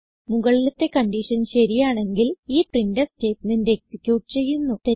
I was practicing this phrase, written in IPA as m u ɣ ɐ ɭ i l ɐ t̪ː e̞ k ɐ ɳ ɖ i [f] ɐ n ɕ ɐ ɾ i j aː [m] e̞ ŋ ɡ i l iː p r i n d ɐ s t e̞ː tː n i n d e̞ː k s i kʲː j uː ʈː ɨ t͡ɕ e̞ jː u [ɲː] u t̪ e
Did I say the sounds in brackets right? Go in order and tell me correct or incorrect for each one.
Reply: incorrect: ʂ, incorrect: ɳ, incorrect: nː

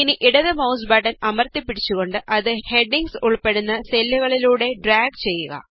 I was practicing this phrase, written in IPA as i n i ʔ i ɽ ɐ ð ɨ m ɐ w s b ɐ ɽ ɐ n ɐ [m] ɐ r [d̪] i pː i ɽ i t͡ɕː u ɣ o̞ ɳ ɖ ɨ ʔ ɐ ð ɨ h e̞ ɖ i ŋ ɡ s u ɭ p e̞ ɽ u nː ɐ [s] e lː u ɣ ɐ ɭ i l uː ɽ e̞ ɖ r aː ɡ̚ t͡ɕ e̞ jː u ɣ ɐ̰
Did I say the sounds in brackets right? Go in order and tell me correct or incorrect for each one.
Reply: correct, incorrect: t̪, correct

